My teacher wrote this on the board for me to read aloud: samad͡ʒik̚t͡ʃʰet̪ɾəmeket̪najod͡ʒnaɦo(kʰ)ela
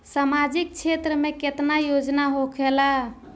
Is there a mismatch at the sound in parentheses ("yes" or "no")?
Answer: no